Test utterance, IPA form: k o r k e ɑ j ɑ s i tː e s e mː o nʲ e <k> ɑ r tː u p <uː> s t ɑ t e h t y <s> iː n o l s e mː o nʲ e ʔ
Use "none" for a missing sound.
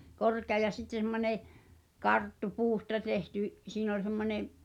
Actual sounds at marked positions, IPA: k, uː, s

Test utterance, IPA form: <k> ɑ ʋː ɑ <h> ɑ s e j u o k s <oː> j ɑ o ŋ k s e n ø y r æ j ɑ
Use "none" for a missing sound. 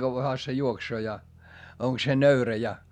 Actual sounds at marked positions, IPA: k, h, oː

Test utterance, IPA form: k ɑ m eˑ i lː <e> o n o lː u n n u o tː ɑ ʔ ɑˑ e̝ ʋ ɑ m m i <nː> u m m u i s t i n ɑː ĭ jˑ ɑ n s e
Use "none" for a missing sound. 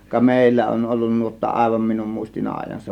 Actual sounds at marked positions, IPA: æ, n

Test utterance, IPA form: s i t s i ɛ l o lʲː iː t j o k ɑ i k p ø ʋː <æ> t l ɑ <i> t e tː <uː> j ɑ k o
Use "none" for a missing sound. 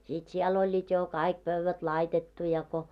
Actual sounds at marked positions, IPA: æ, i, u

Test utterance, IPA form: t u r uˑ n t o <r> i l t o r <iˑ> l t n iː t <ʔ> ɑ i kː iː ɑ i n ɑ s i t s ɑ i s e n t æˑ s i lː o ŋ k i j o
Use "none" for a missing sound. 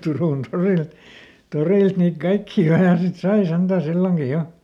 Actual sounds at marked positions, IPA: r, iˑ, k

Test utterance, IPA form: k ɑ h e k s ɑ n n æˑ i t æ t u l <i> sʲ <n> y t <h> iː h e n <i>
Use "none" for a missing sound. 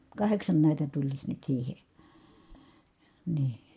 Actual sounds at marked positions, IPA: i, n, s, iː

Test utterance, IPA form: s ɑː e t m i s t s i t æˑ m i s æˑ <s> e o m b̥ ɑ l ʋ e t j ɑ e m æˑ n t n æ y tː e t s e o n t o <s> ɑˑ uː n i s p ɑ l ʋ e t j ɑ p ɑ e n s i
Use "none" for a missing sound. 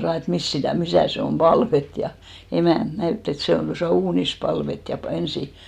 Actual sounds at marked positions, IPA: s, s

